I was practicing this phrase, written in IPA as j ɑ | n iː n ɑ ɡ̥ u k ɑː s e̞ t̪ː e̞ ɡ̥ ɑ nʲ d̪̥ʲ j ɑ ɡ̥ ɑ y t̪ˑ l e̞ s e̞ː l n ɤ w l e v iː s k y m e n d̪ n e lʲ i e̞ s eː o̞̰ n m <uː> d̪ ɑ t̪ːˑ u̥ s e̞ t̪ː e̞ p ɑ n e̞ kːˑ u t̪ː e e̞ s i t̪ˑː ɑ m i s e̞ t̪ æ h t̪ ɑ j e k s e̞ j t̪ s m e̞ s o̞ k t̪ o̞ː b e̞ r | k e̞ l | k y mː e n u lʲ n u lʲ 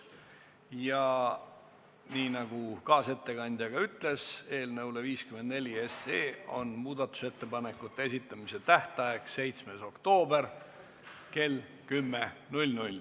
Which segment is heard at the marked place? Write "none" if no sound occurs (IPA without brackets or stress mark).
uː